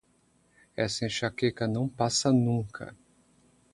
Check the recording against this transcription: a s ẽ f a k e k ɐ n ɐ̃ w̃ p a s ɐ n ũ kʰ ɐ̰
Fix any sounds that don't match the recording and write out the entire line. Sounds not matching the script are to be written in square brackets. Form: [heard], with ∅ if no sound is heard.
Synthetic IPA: [ɛ] s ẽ [ʃ] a k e k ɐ n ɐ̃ w̃ p a s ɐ n ũ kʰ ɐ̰